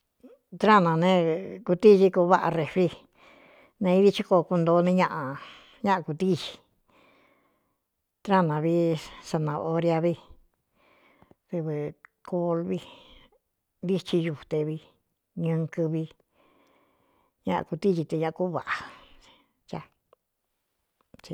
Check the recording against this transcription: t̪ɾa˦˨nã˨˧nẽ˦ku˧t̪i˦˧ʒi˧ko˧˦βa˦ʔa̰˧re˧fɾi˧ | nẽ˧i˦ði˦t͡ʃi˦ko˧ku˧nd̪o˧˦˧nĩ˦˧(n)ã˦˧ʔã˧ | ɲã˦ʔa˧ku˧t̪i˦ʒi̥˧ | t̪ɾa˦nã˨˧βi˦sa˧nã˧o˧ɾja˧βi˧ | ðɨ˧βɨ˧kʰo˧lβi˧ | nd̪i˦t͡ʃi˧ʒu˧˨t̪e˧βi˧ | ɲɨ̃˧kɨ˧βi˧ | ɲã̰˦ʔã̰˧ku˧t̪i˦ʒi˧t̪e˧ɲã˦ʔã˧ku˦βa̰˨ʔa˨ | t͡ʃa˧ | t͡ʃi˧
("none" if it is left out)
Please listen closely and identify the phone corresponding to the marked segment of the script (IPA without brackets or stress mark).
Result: ɲ